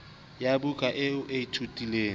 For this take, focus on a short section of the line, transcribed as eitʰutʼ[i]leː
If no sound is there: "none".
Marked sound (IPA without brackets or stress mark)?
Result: i